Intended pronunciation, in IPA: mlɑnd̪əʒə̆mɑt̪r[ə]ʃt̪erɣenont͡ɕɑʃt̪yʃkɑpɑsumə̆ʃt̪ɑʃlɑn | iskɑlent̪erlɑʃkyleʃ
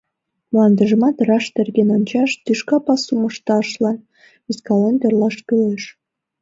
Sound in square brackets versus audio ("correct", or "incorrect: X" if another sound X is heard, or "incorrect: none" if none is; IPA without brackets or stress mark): incorrect: ɑ